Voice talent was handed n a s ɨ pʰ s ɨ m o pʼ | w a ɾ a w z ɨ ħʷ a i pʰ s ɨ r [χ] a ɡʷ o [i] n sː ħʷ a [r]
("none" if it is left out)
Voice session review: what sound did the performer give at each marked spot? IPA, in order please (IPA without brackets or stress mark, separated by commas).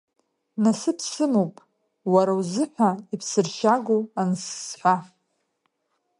ʃ, a, none